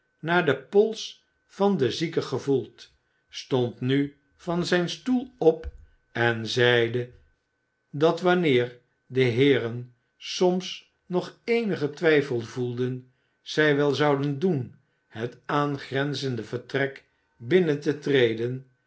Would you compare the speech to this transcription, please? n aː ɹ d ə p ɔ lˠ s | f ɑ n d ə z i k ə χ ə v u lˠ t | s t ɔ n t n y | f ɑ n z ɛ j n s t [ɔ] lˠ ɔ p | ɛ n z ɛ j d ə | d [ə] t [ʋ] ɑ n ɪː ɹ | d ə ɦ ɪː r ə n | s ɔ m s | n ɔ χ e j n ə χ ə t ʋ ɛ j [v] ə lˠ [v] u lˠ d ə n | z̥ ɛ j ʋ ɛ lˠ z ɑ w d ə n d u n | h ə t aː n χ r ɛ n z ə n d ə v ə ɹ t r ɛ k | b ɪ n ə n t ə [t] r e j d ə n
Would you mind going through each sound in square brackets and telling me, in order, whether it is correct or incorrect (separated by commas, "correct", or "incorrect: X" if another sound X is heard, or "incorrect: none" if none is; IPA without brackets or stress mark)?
incorrect: u, incorrect: ɑ, correct, incorrect: f, correct, correct